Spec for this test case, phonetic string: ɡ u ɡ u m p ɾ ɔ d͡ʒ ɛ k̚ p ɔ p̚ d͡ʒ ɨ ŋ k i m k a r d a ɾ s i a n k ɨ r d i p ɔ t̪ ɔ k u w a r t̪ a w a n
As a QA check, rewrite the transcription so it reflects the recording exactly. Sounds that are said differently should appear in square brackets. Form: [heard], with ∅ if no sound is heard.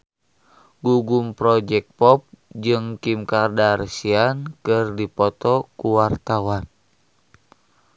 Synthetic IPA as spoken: ɡ u ɡ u m p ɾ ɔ d͡ʒ ɛ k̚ p ɔ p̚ d͡ʒ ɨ ŋ k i m k a r d a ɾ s i a n k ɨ r d i p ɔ t̪ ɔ k u w a r t̪ a w a n

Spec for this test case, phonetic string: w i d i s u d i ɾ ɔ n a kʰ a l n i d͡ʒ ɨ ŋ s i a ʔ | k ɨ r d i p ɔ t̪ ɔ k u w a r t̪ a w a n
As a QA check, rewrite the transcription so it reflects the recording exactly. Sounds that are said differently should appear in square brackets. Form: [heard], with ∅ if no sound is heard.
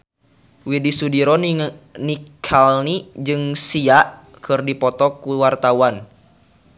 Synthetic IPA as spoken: w i d i s u d i ɾ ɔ n [i] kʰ a l n i d͡ʒ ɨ ŋ s i a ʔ | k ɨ r d i p ɔ t̪ ɔ k u w a r t̪ a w a n

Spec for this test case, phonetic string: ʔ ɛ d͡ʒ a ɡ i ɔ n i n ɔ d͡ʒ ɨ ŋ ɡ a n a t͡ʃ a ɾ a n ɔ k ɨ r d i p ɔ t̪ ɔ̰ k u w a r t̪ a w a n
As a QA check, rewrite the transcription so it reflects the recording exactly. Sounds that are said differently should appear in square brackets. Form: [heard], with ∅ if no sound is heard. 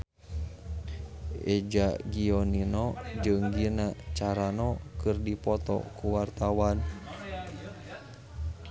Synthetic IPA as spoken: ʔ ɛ d͡ʒ a ɡ i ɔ n i n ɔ d͡ʒ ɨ ŋ ɡ [i] n a t͡ʃ a ɾ a n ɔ k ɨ r d i p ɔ t̪ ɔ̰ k u w a r t̪ a w a n

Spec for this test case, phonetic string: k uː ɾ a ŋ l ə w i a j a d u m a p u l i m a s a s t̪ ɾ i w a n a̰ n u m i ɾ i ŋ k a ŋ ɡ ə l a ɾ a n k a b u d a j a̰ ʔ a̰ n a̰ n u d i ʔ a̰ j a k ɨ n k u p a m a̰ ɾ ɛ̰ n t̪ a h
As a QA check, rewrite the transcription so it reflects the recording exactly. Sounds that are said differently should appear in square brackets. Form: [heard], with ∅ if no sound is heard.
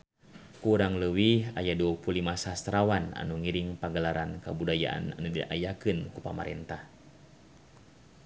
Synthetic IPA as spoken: k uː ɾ a ŋ l ə w i a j a d u [∅] a p u l i m a s a s t̪ ɾ [a] w a n a̰ n u [ŋ] i ɾ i ŋ [p] a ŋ ɡ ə l a ɾ a n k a b u d a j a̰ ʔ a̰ n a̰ n u d i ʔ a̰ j a k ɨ n k u p a m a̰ ɾ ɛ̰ n t̪ a h

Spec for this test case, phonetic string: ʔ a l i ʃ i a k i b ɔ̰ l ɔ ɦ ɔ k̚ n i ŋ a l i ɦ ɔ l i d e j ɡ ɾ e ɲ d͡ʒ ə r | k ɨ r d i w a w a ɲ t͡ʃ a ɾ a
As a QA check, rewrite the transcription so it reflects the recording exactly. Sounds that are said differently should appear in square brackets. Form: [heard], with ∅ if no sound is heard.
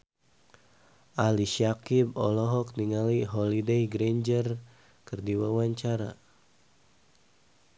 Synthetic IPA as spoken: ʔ a l i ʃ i a k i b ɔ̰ l ɔ ɦ ɔ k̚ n i ŋ a l i ɦ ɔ l i d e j ɡ ɾ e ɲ d͡ʒ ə r | k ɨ r d i w a w a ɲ t͡ʃ a ɾ a

